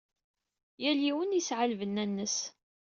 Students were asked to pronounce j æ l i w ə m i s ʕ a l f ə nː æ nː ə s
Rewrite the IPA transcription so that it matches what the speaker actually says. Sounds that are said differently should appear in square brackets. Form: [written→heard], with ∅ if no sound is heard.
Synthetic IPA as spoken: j æ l i w ə [m→n] i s ʕ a l [f→v] ə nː æ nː ə s